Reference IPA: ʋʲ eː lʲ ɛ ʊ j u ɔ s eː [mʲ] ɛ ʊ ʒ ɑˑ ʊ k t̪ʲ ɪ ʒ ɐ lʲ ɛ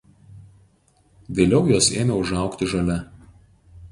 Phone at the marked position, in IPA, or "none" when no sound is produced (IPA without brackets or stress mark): mʲ